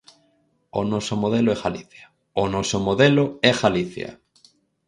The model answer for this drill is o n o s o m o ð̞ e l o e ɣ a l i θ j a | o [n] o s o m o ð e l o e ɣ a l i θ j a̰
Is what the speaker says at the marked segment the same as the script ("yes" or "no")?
yes